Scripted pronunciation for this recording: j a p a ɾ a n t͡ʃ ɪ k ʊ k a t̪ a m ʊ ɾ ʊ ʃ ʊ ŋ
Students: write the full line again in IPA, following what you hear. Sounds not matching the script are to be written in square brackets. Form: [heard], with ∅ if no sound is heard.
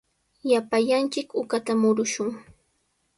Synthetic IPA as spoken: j a p a [ʎ] a n t͡ʃ ɪ k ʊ k a t̪ a m ʊ ɾ ʊ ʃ ʊ ŋ